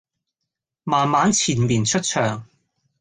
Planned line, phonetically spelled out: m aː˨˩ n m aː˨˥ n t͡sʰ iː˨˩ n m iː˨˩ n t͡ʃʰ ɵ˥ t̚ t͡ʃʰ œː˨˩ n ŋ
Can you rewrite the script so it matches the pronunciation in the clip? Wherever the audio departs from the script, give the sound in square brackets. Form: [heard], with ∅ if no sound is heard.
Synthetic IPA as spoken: m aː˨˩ n m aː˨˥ n t͡sʰ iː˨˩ n m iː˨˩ n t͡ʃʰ ɵ˥ t̚ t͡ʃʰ œː˨˩ [∅] ŋ